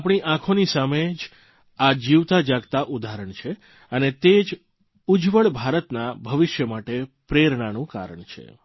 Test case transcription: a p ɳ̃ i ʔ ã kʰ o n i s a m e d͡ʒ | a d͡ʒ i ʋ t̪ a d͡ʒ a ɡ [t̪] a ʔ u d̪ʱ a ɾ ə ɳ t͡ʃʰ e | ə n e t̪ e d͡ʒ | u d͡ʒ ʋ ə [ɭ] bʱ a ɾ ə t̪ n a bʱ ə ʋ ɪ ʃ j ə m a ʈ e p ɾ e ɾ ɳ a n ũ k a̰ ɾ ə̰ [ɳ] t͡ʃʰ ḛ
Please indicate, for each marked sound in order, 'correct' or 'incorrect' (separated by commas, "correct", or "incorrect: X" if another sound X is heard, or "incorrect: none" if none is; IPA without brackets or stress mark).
correct, correct, correct